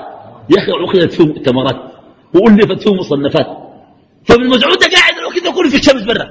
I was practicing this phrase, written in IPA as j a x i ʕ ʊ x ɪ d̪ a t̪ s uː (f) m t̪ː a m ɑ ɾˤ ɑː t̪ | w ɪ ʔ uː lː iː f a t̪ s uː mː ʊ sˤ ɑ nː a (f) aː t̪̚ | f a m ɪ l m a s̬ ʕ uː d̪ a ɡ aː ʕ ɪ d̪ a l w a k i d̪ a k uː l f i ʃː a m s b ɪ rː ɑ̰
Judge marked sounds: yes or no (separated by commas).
no, yes